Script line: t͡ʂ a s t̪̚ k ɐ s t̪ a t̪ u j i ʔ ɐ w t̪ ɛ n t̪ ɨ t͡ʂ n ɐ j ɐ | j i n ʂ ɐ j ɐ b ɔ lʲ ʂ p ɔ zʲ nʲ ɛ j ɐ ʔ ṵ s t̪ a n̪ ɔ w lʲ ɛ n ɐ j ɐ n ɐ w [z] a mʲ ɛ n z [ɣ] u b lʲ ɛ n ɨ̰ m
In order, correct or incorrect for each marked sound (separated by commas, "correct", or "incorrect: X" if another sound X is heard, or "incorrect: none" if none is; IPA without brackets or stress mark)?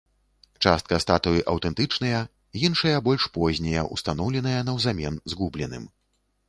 correct, correct